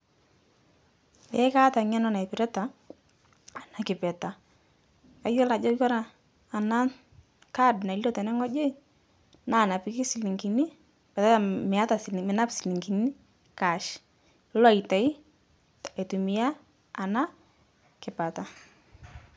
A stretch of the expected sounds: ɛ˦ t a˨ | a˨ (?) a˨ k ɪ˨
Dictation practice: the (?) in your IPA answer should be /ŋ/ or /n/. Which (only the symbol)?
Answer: n